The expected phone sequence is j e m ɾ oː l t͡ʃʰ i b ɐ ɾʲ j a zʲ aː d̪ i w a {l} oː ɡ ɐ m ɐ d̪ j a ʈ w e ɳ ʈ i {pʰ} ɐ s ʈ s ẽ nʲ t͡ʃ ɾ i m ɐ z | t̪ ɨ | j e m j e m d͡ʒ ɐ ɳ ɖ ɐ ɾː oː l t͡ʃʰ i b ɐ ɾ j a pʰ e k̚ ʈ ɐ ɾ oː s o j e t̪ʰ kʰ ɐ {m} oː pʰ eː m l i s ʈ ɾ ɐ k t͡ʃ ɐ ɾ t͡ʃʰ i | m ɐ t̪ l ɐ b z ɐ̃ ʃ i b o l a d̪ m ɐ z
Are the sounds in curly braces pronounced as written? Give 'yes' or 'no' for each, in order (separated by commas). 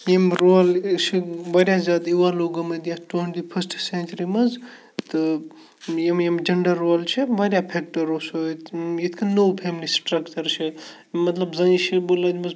yes, yes, no